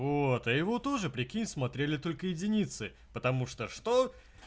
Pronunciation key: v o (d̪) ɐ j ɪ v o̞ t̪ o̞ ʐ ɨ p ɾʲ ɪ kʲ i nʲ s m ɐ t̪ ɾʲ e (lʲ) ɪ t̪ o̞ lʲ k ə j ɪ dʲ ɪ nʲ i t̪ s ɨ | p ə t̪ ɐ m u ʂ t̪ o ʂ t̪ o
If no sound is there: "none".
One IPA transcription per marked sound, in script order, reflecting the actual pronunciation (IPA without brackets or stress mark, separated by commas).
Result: t̪, lʲ